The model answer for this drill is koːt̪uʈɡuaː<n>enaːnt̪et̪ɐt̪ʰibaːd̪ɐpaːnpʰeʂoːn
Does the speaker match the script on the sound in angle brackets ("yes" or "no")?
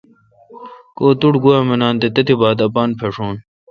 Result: no